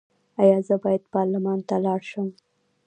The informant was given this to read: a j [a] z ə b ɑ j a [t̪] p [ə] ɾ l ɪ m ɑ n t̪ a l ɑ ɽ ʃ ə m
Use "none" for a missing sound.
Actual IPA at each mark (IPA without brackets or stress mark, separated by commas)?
ɑ, d̪, ɑ